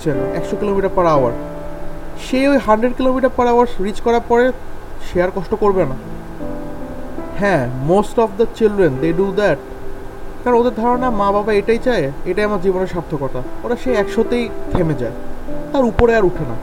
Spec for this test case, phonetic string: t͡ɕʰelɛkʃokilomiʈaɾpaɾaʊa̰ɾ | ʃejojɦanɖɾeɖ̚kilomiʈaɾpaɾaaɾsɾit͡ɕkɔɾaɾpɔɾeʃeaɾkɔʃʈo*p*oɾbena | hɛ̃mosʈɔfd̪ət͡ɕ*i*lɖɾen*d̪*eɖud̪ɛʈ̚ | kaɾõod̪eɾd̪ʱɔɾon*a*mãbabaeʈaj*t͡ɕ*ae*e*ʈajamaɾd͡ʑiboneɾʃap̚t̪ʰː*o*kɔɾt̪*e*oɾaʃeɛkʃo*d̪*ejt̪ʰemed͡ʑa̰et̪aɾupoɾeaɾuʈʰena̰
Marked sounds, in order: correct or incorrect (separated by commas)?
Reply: incorrect, correct, correct, correct, correct, correct, correct, incorrect, incorrect